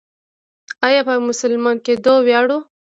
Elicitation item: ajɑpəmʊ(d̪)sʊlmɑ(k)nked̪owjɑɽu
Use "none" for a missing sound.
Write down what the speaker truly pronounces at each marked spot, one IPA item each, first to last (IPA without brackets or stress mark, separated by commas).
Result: none, none